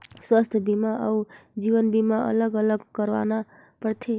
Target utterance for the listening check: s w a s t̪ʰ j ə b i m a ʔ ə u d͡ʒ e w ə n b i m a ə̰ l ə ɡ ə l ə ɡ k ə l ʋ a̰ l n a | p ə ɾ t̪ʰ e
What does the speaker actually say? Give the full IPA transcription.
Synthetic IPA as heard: s w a s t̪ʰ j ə b i m a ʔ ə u d͡ʒ i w ə n b i m a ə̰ l ə ɡ ə l ə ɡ k ə ɾ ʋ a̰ n a | p ə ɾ t̪ʰ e